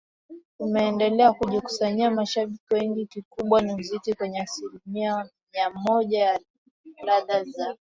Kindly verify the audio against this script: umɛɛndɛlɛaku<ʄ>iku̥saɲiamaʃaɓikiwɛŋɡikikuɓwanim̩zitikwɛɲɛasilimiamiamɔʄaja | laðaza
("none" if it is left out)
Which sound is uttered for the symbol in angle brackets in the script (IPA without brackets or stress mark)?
ʄ